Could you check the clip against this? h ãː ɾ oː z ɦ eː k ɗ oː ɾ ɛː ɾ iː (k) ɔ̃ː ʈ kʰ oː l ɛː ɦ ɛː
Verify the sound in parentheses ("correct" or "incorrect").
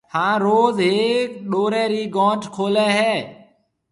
incorrect